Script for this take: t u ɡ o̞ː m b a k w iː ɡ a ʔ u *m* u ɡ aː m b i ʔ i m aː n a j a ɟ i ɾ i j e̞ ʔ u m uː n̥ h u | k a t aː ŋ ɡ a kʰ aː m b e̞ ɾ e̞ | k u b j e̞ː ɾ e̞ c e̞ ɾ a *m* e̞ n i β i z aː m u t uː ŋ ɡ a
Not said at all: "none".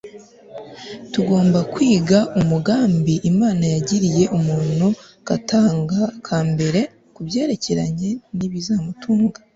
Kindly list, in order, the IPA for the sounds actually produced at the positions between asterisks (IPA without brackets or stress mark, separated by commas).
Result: m, ɲ